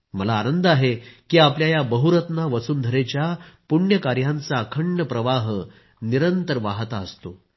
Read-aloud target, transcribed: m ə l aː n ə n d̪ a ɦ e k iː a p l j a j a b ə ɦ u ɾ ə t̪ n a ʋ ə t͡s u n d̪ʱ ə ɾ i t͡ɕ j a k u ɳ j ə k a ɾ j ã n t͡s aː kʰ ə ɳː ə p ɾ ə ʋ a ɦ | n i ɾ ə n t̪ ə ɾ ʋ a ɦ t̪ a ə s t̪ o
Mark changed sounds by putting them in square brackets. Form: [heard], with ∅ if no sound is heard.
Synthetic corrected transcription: m ə l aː n ə n d̪ a ɦ e k iː a p l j a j a b ə ɦ u ɾ ə t̪ n a ʋ ə t͡s [uː] n d̪ʱ ə ɾ [e] t͡ɕ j a [p] u ɳ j ə k a ɾ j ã n t͡s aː kʰ ə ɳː ə p ɾ ə ʋ a ɦ | n i ɾ ə n t̪ ə ɾ ʋ a ɦ t̪ a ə s t̪ o